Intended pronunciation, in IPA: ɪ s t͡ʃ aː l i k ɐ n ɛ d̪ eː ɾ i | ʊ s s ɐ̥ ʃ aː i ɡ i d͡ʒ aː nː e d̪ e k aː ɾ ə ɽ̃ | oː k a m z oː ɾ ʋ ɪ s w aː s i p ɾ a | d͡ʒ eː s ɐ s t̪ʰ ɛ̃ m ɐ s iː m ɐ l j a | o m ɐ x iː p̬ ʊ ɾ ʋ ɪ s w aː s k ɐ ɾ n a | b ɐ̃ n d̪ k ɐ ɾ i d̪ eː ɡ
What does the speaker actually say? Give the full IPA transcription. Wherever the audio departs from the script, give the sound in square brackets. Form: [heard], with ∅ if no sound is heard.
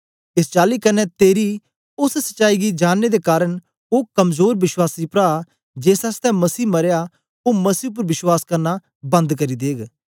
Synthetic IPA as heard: ɪ s t͡ʃ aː l i k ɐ n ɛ [t̪] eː ɾ i | ʊ s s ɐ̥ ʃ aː i ɡ i d͡ʒ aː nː e d̪ e k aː ɾ ə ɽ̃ | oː k [ɐ] m z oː ɾ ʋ ɪ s w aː s i p ɾ a | d͡ʒ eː s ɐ s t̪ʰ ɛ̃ m ɐ s iː m ɐ [ɾ] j a | o m ɐ [s] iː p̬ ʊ ɾ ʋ ɪ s w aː s k ɐ ɾ n a | b ɐ̃ n d̪ k ɐ ɾ i d̪ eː ɡ